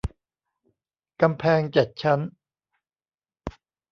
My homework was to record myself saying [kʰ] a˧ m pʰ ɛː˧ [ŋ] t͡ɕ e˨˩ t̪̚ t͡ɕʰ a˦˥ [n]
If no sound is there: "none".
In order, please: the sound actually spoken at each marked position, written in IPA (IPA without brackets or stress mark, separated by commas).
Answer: k, ŋ, n